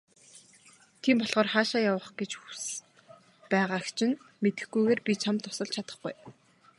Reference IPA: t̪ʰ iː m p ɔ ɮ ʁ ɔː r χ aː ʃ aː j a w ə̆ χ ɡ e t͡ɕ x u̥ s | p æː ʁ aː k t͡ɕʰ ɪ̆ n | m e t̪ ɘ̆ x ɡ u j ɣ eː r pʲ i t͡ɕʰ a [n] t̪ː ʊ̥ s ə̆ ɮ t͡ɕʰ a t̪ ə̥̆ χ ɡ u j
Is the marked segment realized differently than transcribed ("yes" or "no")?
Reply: yes